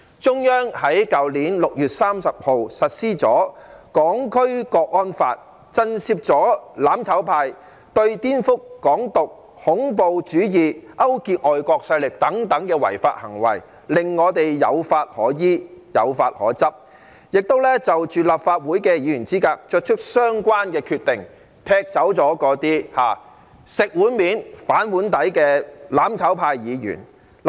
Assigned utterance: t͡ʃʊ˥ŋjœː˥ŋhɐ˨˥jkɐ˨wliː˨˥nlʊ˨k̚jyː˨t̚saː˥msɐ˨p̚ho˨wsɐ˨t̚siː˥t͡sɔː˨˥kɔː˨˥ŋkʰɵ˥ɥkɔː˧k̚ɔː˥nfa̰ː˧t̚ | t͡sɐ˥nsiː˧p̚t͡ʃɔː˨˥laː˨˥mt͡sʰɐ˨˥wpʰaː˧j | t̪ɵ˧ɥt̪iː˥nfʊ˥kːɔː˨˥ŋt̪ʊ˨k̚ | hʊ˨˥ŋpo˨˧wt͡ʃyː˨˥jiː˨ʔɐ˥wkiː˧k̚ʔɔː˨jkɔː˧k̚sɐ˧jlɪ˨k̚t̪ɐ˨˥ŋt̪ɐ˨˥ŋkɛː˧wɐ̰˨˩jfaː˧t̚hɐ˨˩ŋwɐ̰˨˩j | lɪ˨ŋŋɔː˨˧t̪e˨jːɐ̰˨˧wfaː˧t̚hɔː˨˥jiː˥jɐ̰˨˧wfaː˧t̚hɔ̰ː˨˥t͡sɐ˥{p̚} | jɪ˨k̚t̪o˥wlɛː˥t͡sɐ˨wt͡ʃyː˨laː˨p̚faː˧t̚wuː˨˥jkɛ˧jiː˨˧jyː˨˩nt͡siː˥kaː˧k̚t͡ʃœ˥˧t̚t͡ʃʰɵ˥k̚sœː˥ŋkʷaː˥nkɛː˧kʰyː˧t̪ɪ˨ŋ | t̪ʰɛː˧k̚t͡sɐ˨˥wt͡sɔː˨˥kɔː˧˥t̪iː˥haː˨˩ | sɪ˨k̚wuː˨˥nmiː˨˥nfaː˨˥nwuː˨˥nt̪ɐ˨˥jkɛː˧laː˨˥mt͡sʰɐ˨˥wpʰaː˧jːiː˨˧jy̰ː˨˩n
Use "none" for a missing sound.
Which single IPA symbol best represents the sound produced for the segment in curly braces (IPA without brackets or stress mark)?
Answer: p̚